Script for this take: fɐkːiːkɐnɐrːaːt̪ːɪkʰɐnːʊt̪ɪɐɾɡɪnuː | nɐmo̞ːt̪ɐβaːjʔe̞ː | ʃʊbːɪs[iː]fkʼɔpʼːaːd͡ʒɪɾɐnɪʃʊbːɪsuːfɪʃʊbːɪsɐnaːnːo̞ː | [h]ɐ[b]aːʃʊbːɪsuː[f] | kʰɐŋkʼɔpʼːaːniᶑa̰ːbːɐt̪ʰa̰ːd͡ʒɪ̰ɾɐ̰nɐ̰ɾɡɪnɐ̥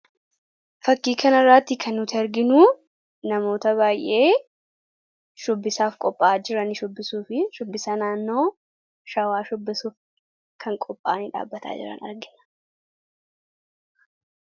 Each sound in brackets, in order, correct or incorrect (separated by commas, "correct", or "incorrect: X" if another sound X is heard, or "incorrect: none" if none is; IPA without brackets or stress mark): incorrect: aː, incorrect: ʃ, incorrect: w, correct